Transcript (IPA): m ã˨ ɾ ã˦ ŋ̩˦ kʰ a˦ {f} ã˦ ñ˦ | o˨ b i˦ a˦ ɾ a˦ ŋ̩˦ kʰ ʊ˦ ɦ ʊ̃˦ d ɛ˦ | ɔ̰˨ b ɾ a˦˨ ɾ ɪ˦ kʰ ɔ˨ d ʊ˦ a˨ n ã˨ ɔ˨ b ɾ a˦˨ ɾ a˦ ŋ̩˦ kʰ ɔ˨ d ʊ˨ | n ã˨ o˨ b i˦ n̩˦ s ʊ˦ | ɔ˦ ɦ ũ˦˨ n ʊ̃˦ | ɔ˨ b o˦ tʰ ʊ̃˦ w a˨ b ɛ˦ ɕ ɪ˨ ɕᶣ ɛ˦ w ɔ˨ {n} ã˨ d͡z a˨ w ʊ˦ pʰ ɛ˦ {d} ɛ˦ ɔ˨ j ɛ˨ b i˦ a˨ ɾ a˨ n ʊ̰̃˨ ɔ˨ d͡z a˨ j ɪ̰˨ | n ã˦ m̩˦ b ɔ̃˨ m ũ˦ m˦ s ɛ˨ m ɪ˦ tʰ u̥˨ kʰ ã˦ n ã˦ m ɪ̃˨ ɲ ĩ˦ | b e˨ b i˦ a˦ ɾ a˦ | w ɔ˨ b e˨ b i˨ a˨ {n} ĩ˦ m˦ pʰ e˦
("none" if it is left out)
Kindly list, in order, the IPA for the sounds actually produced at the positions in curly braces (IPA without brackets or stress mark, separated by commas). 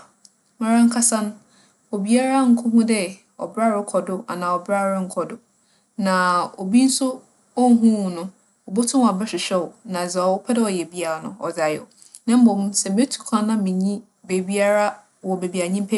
s, n, d, ɲ